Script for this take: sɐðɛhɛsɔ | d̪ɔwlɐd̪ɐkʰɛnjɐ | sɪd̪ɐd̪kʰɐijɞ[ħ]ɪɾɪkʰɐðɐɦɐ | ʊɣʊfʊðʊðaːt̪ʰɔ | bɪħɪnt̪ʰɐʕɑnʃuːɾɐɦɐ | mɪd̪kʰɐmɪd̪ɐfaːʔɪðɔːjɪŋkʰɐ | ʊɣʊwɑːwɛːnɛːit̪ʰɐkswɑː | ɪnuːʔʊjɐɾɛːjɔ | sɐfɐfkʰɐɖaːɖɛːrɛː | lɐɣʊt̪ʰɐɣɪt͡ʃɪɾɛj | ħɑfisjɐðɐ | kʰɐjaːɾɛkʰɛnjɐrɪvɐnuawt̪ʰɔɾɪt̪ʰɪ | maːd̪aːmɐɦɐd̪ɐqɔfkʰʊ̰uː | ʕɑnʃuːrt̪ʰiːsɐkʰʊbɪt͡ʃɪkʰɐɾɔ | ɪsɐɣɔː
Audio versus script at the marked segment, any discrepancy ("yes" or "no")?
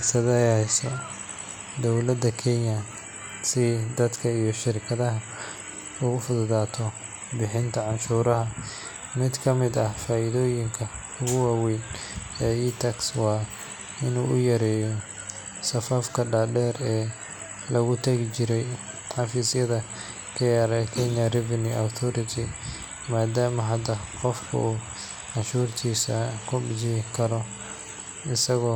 yes